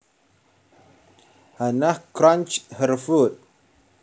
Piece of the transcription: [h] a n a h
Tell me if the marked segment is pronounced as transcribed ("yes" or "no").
yes